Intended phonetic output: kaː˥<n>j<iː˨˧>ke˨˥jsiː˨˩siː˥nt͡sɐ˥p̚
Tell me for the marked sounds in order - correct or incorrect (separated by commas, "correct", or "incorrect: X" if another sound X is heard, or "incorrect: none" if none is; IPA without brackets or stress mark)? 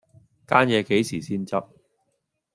correct, incorrect: ɛː˨˧